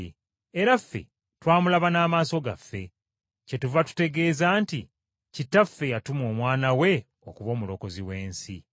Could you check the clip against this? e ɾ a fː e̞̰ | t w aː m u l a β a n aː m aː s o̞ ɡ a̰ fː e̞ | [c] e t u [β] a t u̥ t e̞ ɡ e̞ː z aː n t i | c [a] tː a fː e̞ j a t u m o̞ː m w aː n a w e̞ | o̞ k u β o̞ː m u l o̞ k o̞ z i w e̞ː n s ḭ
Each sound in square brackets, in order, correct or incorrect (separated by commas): correct, incorrect, incorrect